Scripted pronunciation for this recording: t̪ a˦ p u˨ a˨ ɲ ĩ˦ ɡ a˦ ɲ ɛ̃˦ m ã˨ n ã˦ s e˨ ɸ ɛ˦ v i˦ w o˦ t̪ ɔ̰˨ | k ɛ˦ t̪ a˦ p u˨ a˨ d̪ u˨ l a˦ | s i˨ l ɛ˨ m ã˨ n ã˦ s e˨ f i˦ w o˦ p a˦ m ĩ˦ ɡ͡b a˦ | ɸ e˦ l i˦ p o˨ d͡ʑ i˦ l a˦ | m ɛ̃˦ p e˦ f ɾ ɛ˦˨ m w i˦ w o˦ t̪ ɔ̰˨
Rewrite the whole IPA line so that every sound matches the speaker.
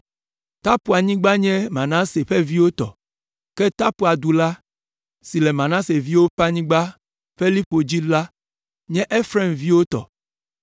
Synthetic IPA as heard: t̪ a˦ p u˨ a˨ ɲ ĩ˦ ɡ͡b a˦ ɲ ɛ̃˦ m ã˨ n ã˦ s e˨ ɸ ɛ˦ v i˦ w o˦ t̪ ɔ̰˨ | k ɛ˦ t̪ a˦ p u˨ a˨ d̪ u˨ l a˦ | s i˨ l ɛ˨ m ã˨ n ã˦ s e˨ v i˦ w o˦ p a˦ ɲ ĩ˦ ɡ͡b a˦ | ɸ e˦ l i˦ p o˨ d͡ʑ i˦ l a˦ | ɲ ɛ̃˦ ʔ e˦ f ɾ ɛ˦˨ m v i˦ w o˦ t̪ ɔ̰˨